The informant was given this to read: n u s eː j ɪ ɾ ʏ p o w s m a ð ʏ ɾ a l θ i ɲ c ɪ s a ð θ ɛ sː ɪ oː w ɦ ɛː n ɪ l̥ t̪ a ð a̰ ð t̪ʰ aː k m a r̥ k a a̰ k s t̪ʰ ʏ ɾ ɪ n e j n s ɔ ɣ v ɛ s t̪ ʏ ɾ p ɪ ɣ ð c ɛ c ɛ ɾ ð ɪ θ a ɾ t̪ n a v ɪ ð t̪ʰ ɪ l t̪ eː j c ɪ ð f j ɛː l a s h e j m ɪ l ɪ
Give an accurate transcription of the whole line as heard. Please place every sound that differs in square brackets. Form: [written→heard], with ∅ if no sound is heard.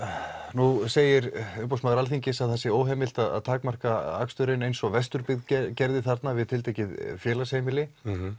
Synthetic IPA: n u s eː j ɪ ɾ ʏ p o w s m a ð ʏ ɾ a l θ i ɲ c ɪ s a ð θ ɛ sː ɪ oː w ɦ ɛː [n→m] ɪ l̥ t̪ a ð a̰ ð t̪ʰ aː k m a r̥ k a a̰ k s [t̪ʰ→t̪] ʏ ɾ ɪ n e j n s ɔ ɣ v ɛ s t̪ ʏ ɾ p ɪ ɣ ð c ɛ c ɛ ɾ ð ɪ θ a ɾ t̪ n a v ɪ ð t̪ʰ ɪ l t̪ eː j c ɪ ð f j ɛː l a s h e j m ɪ l ɪ